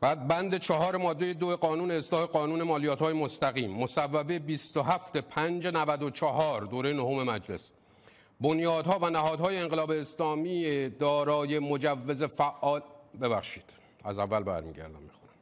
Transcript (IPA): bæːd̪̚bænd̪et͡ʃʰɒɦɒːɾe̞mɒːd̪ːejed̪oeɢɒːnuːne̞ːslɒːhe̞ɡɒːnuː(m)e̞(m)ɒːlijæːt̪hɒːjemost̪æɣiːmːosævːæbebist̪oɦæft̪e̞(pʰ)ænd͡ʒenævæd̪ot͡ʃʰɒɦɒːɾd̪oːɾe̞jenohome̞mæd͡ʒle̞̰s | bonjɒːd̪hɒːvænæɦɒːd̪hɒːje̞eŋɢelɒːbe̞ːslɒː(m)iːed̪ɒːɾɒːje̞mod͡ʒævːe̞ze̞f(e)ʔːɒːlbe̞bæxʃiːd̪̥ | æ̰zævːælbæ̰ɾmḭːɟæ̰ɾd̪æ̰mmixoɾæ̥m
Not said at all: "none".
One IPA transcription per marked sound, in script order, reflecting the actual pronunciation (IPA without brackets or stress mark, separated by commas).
n, m, pʰ, m, æ